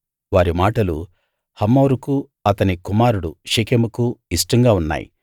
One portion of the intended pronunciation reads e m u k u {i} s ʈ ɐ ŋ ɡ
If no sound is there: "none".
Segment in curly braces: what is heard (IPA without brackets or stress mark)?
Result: i